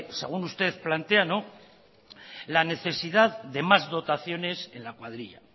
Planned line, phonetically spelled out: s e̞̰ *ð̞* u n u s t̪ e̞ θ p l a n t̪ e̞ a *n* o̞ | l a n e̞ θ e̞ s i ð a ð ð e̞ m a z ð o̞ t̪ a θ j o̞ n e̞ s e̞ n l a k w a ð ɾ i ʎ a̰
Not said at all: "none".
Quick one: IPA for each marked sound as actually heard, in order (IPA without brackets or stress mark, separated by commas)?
ɣ̞, n